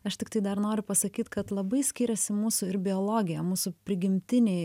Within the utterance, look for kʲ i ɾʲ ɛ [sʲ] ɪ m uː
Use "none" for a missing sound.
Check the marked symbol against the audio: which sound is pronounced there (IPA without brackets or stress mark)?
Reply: sʲ